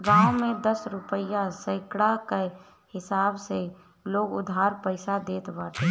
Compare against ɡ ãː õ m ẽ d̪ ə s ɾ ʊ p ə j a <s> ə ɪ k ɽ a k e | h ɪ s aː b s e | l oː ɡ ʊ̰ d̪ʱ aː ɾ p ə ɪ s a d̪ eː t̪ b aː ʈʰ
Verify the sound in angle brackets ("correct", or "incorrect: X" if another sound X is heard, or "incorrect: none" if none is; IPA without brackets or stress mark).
correct